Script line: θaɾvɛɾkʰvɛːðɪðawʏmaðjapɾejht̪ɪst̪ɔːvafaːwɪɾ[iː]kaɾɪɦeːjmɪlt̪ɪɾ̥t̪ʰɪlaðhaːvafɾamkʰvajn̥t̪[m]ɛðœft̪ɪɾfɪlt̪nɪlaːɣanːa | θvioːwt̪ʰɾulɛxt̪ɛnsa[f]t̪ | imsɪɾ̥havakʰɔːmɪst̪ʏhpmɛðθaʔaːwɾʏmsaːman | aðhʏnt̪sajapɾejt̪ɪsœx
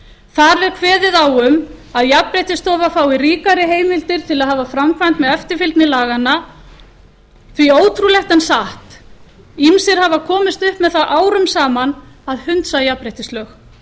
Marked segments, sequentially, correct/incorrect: correct, correct, incorrect

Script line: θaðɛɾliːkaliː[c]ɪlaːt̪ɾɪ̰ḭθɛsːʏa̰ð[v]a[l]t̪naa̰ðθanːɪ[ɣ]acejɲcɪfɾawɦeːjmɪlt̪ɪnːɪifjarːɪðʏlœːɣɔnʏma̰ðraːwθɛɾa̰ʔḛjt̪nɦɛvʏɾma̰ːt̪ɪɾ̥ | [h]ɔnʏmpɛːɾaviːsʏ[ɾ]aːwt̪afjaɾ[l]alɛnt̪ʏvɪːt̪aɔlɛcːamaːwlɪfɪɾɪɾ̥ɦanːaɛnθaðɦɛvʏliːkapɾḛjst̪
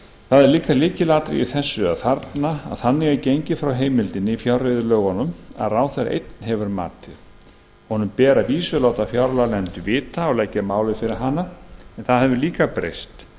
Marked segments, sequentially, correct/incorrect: correct, incorrect, incorrect, correct, correct, incorrect, correct

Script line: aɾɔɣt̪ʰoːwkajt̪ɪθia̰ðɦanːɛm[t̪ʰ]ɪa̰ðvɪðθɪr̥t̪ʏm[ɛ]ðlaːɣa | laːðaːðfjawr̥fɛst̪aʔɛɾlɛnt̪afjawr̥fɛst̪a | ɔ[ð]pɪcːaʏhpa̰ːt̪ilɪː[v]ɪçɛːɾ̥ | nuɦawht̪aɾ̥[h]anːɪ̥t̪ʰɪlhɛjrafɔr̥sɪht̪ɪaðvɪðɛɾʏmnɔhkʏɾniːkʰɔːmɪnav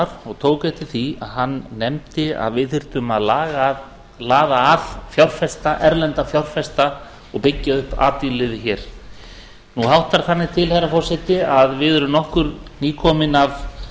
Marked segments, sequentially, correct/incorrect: incorrect, incorrect, incorrect, incorrect, incorrect

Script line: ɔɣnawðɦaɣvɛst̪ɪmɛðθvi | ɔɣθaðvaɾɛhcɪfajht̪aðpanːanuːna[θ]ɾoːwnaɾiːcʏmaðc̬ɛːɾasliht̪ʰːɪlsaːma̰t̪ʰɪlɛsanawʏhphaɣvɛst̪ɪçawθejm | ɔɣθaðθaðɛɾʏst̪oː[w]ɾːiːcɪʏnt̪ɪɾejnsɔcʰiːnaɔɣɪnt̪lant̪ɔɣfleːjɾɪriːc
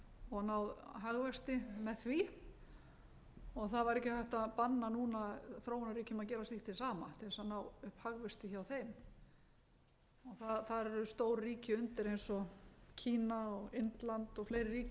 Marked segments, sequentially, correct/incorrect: correct, correct

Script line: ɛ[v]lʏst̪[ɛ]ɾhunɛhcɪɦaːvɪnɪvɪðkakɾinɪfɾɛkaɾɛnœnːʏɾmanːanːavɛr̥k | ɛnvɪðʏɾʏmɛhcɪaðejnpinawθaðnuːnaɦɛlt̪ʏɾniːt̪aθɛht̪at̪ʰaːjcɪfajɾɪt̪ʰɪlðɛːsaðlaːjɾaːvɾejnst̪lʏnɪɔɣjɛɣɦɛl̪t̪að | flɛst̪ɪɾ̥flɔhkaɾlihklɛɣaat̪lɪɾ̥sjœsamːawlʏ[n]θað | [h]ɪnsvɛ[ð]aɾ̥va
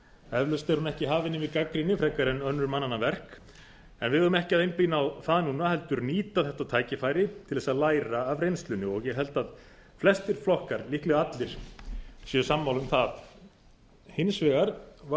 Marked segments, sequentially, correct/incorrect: correct, correct, incorrect, correct, incorrect

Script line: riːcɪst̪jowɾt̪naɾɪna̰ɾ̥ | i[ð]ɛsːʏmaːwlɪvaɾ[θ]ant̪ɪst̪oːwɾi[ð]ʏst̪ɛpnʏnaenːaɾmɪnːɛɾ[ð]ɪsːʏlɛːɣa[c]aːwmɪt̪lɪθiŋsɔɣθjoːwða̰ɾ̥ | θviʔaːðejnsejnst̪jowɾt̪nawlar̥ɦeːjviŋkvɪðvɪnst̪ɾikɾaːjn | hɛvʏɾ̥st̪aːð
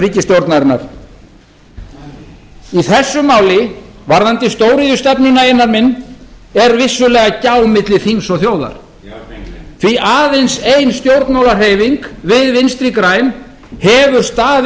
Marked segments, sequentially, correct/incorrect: incorrect, incorrect, correct, incorrect, correct

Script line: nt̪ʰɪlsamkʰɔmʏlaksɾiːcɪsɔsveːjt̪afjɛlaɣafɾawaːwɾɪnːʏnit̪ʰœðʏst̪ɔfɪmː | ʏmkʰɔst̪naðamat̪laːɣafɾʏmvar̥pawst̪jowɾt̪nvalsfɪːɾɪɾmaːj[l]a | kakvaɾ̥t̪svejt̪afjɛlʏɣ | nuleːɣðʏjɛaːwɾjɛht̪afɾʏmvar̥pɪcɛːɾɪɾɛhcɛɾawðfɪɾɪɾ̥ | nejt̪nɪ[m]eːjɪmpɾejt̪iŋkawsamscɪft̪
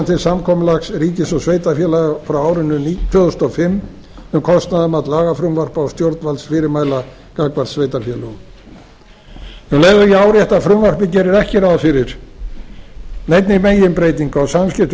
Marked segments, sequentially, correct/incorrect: correct, correct

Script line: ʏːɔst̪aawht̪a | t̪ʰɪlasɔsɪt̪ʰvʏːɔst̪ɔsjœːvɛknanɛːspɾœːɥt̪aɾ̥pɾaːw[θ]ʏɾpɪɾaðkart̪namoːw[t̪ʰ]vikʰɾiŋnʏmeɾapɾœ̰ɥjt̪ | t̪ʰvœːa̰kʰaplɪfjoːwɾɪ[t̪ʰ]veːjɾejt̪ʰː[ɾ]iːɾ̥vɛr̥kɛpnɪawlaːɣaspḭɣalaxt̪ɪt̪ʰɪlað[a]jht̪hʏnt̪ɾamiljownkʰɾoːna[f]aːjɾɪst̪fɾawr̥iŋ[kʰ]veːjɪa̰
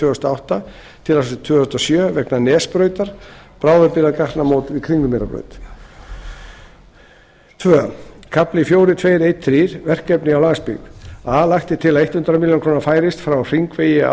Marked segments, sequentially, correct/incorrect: incorrect, incorrect, correct, correct, incorrect, correct, incorrect

